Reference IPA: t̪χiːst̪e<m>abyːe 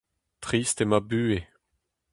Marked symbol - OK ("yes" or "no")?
yes